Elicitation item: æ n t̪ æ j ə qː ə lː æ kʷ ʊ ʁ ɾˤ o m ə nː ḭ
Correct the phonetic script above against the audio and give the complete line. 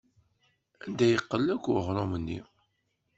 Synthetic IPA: æ n d̪ æ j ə qː ə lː æ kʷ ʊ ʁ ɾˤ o m ə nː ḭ